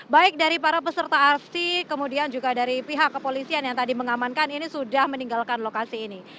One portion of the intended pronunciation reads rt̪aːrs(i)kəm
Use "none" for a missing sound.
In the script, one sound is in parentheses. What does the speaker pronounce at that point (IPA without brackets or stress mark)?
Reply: i